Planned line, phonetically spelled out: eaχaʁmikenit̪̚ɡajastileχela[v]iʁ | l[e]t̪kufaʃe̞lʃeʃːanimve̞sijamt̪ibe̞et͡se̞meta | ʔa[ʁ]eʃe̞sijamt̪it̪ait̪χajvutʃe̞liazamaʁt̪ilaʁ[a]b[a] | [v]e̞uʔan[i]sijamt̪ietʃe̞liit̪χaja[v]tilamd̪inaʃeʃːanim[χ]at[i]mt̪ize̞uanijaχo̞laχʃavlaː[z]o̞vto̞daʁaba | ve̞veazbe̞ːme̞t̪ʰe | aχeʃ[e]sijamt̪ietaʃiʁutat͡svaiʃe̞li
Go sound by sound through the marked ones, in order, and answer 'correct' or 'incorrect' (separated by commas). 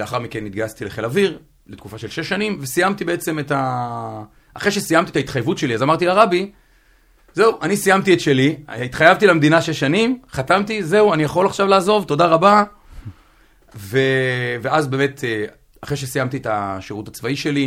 correct, correct, incorrect, correct, incorrect, incorrect, correct, correct, correct, incorrect, correct, correct